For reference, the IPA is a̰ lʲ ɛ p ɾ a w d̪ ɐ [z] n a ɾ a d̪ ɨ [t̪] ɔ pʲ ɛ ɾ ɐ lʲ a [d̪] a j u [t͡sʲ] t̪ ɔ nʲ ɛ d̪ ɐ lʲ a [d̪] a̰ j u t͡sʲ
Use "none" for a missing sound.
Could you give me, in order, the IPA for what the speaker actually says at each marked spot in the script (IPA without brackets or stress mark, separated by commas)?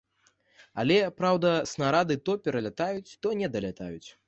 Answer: s, t̪, t̪, t͡sʲ, t̪